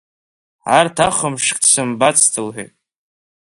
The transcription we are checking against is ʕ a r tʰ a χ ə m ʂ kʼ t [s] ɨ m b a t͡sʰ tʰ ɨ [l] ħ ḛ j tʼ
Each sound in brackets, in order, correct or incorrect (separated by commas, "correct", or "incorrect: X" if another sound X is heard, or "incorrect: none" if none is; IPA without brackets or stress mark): correct, correct